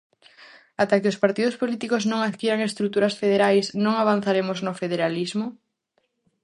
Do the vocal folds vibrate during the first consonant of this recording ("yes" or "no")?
no